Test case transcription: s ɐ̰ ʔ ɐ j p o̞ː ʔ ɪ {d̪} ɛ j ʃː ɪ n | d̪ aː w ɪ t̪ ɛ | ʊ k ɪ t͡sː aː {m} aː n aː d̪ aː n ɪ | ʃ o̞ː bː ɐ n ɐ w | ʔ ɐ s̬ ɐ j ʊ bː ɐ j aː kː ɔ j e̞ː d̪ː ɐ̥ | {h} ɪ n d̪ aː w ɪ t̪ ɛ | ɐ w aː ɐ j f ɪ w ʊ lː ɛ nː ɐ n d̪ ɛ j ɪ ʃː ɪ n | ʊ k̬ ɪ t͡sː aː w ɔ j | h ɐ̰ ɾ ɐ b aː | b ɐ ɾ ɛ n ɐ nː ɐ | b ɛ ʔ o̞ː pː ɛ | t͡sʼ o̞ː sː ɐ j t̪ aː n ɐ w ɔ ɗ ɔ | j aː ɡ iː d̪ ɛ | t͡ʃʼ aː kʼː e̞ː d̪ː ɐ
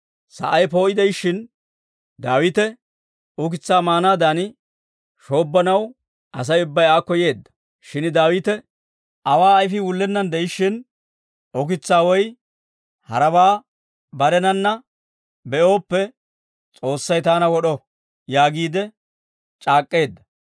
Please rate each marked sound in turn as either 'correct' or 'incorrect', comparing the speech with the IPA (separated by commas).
correct, correct, incorrect